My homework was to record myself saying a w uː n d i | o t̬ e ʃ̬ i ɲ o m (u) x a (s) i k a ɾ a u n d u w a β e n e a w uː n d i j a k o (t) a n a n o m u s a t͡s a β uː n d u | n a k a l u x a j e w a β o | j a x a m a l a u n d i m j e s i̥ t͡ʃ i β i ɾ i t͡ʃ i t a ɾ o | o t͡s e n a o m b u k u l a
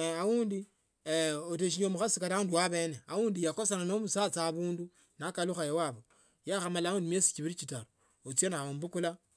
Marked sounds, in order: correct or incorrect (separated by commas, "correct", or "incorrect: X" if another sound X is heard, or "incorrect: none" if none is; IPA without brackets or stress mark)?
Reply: correct, correct, incorrect: s